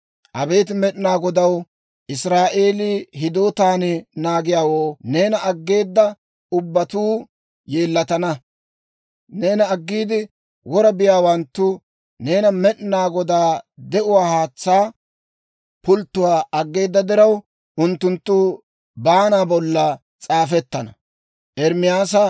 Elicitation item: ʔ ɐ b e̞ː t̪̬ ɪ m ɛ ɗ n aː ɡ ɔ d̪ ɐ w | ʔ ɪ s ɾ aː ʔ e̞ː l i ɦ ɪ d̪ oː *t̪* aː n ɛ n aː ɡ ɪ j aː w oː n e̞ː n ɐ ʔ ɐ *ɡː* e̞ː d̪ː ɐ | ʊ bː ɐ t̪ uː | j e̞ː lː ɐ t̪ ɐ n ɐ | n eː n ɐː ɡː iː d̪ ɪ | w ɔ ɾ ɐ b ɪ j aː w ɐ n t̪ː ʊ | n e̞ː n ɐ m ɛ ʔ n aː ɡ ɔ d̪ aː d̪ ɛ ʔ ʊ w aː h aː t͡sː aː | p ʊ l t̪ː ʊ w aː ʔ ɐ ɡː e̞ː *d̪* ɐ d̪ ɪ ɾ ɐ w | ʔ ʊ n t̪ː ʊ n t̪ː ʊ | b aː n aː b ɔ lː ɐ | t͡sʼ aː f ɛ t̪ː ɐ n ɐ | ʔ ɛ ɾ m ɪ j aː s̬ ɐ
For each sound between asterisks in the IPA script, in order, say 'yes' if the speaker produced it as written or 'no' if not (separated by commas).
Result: yes, yes, no